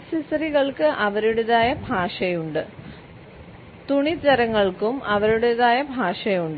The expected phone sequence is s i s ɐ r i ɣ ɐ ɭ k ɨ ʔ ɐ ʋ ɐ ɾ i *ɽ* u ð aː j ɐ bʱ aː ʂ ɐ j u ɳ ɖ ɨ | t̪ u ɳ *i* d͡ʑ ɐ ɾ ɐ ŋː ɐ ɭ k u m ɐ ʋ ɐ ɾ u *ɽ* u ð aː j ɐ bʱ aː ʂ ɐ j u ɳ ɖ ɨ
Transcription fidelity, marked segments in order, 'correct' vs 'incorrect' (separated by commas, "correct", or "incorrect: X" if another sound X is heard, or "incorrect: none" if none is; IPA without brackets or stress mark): correct, correct, correct